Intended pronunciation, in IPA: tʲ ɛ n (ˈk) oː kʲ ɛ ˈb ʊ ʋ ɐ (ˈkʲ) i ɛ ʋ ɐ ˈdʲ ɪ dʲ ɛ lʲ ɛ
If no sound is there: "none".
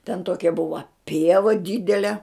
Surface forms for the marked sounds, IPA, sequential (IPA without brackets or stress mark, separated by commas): t, pʲ